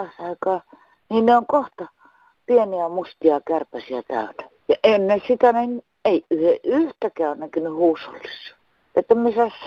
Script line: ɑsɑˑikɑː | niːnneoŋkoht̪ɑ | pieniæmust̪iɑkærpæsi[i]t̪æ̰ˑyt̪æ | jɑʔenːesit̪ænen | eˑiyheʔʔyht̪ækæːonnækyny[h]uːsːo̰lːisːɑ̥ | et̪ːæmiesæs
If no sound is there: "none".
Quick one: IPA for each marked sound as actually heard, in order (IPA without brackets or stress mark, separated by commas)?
æ, h